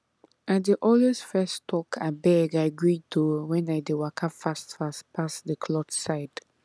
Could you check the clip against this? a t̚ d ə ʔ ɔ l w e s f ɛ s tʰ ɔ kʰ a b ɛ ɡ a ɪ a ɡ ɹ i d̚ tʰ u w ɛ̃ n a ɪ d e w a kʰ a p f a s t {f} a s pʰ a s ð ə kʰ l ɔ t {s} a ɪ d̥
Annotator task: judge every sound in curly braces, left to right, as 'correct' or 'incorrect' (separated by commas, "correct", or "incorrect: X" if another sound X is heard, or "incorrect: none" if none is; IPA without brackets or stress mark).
correct, correct